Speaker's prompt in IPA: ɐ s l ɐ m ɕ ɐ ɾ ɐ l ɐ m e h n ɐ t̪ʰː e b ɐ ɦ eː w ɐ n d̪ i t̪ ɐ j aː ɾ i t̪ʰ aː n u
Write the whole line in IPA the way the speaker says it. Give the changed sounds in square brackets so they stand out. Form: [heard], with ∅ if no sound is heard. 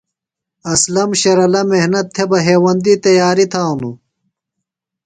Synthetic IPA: ɐ s l ɐ m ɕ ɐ ɾ ɐ l ɐ m e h n ɐ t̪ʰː e b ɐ ɦ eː w ɐ n d̪ i t̪ ɐ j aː ɾ i t̪ʰ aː n u

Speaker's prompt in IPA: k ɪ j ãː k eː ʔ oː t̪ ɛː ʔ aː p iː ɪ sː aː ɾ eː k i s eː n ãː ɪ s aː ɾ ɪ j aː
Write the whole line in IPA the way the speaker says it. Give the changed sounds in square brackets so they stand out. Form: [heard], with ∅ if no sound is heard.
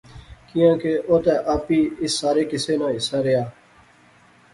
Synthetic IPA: k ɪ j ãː k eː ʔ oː t̪ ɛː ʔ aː p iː ɪ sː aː ɾ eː k [ɪ] s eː n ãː ɪ s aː ɾ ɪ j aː

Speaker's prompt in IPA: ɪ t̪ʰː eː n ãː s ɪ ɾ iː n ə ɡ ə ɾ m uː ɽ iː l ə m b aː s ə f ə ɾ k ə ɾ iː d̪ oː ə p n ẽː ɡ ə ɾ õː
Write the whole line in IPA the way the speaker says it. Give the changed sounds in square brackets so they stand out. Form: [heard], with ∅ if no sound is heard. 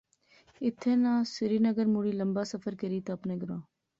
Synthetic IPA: ɪ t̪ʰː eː n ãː s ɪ ɾ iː n ə ɡ ə ɾ m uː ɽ iː l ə m b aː s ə f ə ɾ k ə ɾ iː [t̪] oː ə p n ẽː ɡ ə ɾ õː

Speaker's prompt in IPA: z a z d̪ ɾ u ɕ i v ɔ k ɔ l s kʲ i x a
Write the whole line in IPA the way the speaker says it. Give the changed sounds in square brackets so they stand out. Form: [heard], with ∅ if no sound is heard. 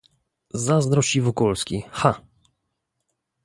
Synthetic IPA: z a z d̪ ɾ [ɔ] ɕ i v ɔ k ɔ l s kʲ i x a

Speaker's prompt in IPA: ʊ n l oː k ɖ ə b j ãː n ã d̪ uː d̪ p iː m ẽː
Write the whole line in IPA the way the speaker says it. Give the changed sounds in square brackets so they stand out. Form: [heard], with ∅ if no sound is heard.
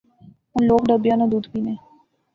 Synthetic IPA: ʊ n l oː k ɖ ə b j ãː n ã d̪ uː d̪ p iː [n] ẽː

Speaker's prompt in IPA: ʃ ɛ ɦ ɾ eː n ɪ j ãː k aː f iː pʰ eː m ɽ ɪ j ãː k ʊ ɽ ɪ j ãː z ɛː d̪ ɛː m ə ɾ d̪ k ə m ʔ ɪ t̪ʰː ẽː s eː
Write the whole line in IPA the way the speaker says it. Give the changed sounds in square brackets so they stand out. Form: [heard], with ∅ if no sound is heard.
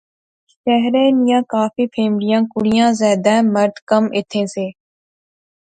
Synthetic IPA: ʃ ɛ ɦ ɾ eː n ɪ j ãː k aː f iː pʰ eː m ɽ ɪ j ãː k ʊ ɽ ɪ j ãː z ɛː d̪ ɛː m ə ɾ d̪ k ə m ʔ ɪ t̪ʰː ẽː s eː

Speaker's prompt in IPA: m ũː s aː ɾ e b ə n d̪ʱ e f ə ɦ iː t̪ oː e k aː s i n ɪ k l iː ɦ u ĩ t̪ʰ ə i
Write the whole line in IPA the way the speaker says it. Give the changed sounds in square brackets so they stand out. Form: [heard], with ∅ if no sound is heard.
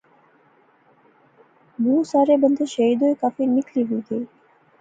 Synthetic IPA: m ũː s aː ɾ e b ə n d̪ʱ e [ʃ] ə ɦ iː [d̪] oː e k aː [f] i n ɪ k l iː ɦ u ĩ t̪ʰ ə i

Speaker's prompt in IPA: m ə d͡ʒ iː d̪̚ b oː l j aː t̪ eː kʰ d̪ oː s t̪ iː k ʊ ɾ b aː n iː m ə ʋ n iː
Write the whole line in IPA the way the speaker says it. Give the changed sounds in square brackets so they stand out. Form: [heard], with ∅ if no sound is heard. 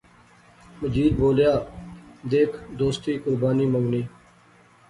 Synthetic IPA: m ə d͡ʒ iː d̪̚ b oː l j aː [d̪] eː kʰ d̪ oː s t̪ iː k ʊ ɾ b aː n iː m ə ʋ n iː

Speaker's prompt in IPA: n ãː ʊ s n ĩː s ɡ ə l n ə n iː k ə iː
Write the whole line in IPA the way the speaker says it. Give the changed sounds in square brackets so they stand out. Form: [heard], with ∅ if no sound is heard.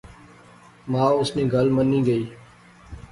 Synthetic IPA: [m] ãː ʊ s n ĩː [∅] ɡ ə l [m] ə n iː [ɡ] ə iː

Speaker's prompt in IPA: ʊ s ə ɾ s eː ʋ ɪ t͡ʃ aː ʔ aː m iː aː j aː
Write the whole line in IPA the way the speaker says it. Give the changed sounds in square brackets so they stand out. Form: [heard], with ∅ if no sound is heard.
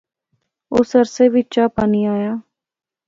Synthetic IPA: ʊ s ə ɾ s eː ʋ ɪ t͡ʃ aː [p] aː [n] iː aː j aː

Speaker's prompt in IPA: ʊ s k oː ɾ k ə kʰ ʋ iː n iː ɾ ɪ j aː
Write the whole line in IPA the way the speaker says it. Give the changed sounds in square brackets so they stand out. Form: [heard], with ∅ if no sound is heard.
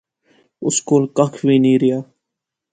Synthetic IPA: ʊ s k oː [l] k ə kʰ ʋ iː n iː ɾ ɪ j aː

